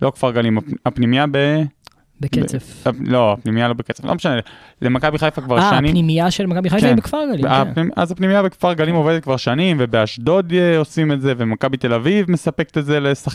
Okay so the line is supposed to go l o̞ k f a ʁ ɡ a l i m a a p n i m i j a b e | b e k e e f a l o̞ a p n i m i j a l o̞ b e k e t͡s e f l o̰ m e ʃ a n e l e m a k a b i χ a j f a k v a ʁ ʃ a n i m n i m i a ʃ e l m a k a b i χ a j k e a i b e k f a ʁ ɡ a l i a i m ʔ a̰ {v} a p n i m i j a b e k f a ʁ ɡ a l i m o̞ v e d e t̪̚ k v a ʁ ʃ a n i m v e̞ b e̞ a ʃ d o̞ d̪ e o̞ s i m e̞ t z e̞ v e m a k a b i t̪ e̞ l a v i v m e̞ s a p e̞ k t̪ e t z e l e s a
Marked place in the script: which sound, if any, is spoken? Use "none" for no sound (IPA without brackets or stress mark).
z